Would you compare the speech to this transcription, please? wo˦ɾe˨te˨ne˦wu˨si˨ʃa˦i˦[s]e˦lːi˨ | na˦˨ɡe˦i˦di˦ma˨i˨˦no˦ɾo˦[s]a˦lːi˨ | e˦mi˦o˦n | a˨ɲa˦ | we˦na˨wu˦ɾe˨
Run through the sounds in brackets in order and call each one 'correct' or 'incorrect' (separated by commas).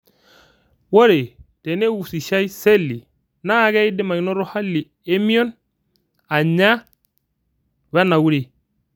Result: correct, incorrect